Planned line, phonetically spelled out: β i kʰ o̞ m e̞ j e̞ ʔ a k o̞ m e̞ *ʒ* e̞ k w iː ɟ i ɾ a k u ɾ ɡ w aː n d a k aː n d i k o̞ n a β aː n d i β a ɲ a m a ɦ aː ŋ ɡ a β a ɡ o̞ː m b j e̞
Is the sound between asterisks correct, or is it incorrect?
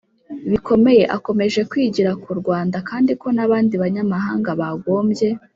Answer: correct